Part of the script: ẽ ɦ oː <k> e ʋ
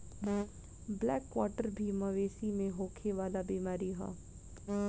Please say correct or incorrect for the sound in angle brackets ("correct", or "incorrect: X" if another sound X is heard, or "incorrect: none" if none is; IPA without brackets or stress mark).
incorrect: kʰ